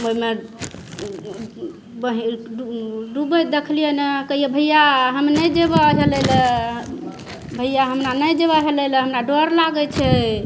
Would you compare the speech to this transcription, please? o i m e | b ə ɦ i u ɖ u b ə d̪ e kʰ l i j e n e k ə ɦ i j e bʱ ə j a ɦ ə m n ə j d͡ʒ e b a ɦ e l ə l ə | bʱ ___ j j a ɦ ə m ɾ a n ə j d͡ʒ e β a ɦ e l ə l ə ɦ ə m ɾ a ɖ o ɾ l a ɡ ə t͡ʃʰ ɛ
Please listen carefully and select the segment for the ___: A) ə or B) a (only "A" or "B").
A